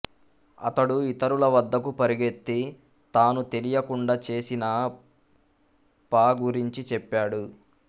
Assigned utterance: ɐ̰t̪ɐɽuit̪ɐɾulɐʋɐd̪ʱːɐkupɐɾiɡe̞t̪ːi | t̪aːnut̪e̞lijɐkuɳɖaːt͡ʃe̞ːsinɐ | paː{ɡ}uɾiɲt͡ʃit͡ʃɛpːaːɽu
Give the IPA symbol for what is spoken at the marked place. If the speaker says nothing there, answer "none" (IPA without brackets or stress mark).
ɡ